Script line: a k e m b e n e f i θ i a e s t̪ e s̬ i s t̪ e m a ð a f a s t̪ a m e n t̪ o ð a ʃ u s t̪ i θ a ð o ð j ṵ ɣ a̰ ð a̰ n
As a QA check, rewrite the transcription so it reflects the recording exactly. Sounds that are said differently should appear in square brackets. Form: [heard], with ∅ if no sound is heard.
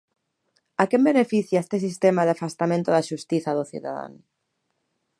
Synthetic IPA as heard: a k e m b e n e f i θ [j] a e s t̪ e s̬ i s t̪ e m a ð a f a s t̪ a m [ẽ] n t̪ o ð a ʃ u s t̪ i θ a ð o [θ] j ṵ [ð] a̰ ð a̰ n

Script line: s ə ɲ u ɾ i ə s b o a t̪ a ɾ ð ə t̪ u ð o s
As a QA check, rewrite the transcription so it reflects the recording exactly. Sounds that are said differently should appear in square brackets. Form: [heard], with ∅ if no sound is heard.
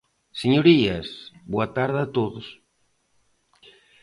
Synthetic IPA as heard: s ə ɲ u ɾ i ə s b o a t̪ a ɾ ð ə t̪ [o] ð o s

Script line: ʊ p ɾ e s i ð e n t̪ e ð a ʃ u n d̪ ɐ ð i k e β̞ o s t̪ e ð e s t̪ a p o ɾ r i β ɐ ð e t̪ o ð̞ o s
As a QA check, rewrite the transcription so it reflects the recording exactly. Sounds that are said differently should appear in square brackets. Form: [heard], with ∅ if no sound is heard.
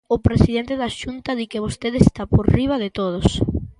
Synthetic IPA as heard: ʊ p ɾ e s i ð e n t̪ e ð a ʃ u n [t̪] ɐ ð i k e β̞ o s t̪ e ð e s t̪ a p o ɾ r i β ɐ ð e t̪ o ð̞ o s

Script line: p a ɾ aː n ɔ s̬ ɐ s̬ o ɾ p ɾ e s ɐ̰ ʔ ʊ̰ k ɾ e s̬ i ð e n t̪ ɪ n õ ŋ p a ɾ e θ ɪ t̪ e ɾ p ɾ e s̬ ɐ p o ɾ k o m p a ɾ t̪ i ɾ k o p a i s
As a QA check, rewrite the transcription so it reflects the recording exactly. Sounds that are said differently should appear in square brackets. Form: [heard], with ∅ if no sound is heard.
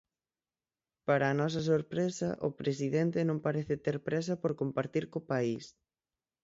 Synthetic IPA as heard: p a ɾ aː n ɔ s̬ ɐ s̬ o ɾ p ɾ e s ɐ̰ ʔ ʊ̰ [p] ɾ e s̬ i ð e n t̪ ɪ n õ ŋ p a ɾ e θ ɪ t̪ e ɾ p ɾ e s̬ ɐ p o ɾ k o m p a ɾ t̪ i ɾ k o p a i s

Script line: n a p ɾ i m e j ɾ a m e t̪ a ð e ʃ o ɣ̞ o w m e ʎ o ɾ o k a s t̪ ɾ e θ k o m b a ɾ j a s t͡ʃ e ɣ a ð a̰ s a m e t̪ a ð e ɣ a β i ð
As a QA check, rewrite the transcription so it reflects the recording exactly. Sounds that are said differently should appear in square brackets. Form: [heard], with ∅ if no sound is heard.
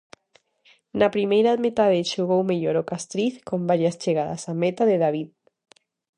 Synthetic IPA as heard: n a p ɾ i m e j ɾ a m e t̪ a ð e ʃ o ɣ̞ o w m e ʎ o ɾ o k a s t̪ ɾ [i] θ k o m b a ɾ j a s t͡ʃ e ɣ a ð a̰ s a m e t̪ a ð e [ð] a β i ð

